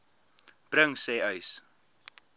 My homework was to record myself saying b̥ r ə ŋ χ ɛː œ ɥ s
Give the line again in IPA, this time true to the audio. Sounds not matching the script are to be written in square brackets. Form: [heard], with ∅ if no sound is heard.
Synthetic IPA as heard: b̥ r ə ŋ [s] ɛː œ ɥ s